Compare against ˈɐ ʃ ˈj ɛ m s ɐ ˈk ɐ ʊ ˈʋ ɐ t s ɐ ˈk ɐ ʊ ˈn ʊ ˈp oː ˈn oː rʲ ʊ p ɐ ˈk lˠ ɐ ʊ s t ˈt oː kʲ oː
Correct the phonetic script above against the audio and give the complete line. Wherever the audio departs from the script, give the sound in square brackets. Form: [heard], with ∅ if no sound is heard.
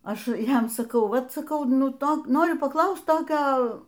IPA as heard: ˈɐ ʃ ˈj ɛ m s ɐ ˈk ɐ ʊ ˈʋ ɐ t s ɐ ˈk ɐ ʊ ˈn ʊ [ˈt] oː ˈn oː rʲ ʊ p ɐ ˈk lˠ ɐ ʊ s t ˈt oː kʲ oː